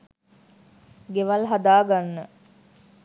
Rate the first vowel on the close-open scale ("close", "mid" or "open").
mid